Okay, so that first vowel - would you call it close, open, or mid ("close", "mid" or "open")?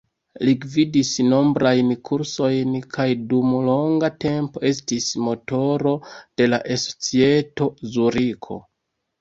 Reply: close